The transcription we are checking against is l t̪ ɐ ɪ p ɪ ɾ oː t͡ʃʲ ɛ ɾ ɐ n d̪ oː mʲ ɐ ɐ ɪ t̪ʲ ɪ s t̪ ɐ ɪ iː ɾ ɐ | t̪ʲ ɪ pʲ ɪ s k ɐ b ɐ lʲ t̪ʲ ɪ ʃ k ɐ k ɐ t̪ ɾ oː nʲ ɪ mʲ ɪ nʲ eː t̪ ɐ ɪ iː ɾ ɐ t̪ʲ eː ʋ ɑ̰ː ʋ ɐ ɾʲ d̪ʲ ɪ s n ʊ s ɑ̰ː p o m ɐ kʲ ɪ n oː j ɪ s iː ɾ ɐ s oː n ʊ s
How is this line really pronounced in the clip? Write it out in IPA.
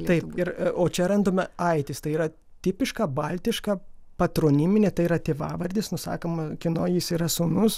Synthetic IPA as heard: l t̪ ɐ ɪ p ɪ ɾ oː t͡ʃʲ ɛ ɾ ɐ n d̪ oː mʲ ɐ ɐ ɪ t̪ʲ ɪ s t̪ ɐ ɪ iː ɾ ɐ | t̪ʲ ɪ pʲ ɪ ʃ k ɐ b ɐ lʲ t̪ʲ ɪ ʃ k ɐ p ɐ t̪ ɾ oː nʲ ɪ mʲ ɪ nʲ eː t̪ ɐ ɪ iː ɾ ɐ t̪ʲ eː ʋ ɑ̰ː ʋ ɐ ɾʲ d̪ʲ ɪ s n ʊ s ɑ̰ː k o m ɐ kʲ ɪ n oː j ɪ s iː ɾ ɐ s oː n ʊ s